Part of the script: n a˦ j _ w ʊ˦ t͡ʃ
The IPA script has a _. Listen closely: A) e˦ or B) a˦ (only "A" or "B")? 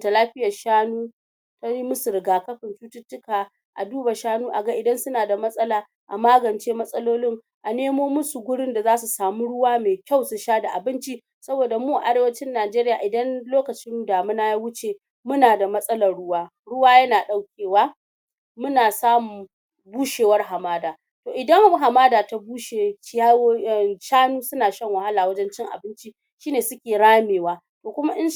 B